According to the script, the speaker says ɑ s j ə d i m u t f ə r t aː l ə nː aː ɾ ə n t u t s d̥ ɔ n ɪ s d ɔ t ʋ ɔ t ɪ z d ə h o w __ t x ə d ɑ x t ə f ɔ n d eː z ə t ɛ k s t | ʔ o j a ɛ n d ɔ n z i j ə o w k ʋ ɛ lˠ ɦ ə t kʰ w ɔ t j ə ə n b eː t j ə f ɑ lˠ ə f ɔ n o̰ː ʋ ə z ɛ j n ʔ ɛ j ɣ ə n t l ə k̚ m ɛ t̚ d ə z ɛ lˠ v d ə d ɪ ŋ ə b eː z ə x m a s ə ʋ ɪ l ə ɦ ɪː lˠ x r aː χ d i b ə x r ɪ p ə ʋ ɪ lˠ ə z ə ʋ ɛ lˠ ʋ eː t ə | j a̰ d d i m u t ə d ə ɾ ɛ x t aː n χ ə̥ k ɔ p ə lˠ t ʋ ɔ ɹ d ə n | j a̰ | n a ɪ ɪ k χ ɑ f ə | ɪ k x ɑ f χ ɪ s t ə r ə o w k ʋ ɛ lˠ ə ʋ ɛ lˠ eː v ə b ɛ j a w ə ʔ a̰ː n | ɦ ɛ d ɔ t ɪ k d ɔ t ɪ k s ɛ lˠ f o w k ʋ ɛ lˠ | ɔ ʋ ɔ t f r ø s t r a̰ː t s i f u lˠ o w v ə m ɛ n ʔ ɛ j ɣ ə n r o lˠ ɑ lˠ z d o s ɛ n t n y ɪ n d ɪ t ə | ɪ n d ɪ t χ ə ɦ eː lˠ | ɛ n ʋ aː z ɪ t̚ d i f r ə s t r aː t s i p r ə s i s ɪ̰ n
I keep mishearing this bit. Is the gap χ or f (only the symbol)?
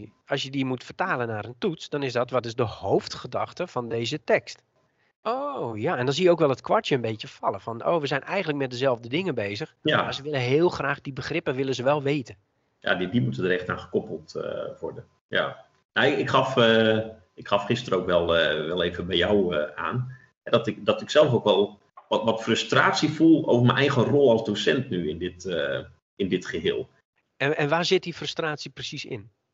f